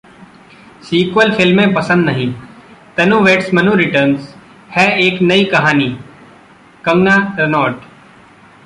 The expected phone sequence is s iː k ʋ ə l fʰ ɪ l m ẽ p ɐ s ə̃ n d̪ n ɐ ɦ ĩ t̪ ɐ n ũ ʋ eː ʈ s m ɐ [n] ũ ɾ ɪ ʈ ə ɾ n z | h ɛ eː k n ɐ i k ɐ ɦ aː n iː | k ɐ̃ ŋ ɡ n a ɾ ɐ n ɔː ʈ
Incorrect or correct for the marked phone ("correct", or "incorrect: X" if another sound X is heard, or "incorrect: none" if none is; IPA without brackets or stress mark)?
correct